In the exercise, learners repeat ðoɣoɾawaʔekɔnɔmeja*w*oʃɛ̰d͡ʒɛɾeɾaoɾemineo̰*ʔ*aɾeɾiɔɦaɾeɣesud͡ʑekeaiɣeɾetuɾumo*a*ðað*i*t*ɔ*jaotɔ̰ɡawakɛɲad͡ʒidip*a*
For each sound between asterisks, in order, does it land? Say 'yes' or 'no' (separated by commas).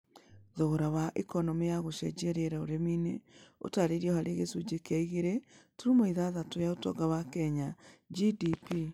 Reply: no, no, no, no, no, no